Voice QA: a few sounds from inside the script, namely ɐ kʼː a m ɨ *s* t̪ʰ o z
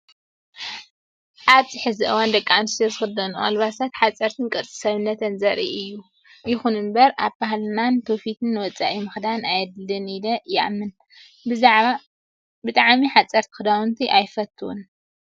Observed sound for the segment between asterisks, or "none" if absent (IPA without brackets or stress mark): s